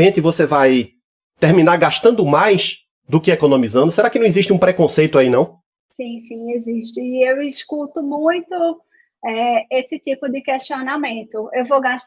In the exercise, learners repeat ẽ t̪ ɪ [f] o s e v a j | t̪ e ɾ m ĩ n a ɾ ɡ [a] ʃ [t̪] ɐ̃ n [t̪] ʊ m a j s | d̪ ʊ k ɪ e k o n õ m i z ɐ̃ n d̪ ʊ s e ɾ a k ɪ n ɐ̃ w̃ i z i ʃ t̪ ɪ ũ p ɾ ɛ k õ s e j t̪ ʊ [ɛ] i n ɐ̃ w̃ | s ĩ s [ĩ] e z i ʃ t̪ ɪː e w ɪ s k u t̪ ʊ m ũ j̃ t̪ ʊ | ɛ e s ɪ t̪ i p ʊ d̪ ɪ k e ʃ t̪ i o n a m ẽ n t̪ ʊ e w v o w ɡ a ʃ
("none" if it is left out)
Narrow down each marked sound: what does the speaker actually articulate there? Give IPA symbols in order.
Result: v, a, t̪, d̪, a, ĩ

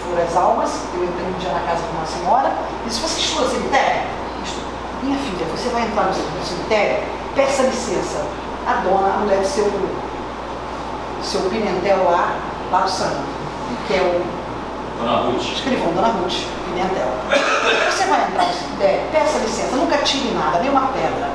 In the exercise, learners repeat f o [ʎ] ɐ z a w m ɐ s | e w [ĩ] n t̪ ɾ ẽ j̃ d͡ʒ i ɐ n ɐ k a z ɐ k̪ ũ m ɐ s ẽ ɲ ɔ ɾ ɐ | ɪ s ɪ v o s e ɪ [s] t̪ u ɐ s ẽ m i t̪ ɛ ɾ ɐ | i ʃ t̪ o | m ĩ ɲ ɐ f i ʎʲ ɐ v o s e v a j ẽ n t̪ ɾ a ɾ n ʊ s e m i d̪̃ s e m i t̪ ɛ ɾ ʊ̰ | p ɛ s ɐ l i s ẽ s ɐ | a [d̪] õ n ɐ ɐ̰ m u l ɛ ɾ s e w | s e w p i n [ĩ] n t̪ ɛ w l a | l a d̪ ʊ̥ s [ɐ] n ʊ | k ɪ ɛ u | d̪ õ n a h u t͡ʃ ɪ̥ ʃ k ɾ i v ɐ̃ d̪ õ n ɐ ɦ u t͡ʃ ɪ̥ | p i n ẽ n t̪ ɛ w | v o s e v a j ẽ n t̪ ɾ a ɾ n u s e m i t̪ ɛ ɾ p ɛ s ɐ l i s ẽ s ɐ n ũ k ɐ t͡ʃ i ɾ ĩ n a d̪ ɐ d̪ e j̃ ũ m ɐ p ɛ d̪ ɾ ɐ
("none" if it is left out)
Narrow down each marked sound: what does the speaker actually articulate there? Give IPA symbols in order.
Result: ɾ, ẽ, ʃ, d̪, ẽ, ɐ̃

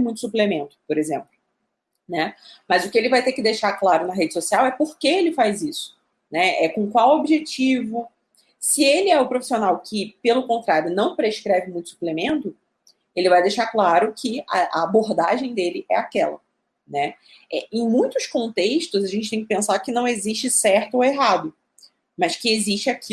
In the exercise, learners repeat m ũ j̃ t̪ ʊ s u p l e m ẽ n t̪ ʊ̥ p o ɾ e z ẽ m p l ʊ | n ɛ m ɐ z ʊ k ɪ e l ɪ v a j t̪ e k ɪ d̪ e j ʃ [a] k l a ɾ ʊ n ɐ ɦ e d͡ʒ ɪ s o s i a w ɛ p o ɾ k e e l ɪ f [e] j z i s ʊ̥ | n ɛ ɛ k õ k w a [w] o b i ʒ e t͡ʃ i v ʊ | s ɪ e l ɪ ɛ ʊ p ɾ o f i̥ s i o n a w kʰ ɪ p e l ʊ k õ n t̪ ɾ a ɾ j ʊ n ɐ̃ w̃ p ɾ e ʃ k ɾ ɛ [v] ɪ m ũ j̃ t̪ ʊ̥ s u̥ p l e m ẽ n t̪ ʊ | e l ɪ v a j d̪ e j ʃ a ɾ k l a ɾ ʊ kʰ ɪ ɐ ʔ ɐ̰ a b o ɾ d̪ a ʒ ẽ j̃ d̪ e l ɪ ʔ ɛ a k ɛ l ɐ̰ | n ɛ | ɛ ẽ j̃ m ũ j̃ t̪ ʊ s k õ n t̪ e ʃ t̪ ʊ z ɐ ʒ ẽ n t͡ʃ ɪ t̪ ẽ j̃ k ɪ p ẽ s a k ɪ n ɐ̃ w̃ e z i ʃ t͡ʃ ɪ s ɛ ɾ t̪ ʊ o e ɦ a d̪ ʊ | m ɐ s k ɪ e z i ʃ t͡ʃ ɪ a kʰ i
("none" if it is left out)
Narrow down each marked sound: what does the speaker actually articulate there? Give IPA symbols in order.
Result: a, a, w, v

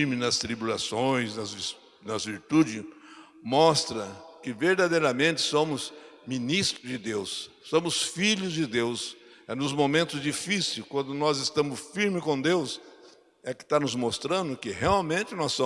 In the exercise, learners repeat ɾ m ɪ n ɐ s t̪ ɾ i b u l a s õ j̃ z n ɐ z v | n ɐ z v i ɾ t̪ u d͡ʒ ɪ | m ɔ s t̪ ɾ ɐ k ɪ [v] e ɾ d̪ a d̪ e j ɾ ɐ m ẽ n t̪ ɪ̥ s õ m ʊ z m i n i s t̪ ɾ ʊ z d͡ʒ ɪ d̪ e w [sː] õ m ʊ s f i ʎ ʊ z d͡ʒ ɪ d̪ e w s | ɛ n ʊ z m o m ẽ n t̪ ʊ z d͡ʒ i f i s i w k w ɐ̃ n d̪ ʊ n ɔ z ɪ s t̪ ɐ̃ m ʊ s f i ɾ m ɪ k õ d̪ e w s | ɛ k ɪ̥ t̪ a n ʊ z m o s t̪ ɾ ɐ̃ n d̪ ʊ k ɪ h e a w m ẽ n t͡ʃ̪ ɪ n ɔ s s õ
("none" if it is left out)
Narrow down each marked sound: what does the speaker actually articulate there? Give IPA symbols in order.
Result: v, sː

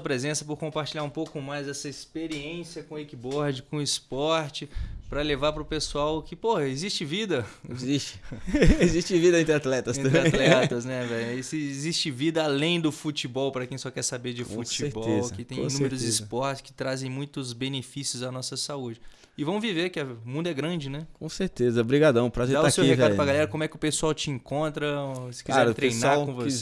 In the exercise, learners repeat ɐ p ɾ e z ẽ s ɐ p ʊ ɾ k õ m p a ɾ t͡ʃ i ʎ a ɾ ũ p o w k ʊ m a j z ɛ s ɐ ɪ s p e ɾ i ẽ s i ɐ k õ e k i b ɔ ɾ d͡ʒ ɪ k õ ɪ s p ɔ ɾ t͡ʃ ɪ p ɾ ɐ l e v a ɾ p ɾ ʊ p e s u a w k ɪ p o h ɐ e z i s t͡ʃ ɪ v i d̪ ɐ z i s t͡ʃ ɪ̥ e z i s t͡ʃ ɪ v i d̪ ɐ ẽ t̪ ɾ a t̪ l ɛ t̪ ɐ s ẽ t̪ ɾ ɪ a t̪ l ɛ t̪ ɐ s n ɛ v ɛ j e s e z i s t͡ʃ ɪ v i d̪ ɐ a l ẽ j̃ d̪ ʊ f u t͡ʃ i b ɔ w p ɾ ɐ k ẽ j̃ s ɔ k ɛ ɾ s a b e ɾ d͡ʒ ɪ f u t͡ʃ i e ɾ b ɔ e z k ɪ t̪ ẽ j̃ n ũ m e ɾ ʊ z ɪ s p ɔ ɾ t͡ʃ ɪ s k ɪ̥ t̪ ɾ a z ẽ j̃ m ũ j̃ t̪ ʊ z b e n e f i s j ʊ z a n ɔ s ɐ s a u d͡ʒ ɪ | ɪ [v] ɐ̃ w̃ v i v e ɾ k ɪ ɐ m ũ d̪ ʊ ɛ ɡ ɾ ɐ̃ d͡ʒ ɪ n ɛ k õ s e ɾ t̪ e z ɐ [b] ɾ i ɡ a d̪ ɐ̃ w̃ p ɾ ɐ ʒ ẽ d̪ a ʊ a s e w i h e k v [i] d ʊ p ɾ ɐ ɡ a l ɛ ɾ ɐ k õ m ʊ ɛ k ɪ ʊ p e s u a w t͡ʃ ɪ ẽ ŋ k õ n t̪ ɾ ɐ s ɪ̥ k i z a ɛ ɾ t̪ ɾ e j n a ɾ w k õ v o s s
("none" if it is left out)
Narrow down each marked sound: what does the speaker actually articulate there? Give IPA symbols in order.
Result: v, b, a

